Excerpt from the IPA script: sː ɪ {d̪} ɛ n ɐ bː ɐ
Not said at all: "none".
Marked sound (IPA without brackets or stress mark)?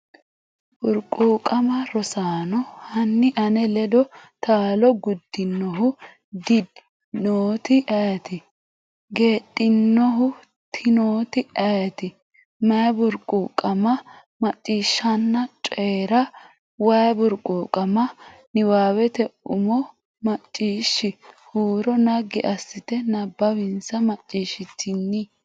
t̪